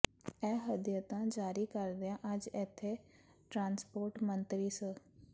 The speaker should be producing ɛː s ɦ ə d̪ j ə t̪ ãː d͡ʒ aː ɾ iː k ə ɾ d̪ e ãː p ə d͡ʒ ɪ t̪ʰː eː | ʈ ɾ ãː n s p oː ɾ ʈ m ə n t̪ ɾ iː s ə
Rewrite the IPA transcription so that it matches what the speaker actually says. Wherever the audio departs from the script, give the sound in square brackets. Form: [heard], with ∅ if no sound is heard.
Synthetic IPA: ɛː [∅] ɦ ə d̪ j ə t̪ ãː d͡ʒ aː ɾ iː k ə ɾ d̪ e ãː [ʔ] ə d͡ʒ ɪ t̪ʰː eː | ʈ ɾ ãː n s p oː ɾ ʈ m ə n t̪ ɾ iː s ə